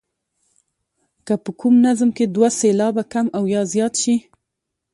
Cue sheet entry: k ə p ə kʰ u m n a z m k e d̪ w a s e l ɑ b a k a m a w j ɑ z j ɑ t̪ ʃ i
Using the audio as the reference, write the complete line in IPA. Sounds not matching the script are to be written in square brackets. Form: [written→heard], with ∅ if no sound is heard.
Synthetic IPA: k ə p ə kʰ u m n a z m k e d̪ w a s e l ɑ b a k a m a w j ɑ z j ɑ t̪ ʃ i